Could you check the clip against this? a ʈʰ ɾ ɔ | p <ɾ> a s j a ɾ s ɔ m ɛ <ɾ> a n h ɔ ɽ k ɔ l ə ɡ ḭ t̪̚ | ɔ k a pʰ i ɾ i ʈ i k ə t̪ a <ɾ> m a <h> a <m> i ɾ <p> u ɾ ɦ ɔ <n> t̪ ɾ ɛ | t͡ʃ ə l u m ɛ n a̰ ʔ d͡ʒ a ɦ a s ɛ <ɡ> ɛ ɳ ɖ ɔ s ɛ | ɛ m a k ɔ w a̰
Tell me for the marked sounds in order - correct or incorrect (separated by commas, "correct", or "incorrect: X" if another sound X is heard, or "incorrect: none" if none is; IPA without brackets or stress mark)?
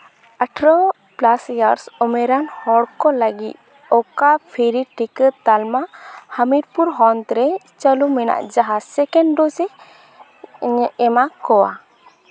incorrect: l, correct, incorrect: l, correct, correct, correct, correct, incorrect: k